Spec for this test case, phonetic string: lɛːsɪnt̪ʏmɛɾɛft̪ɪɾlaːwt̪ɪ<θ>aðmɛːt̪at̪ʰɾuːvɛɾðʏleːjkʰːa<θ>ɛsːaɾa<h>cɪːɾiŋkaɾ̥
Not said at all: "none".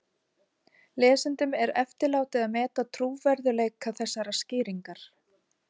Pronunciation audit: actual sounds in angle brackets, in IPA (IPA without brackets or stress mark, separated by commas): ð, θ, s